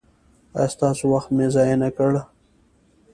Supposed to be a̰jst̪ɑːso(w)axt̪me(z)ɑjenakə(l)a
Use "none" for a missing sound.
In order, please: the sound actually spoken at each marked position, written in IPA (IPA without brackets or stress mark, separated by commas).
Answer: w, z, ɽ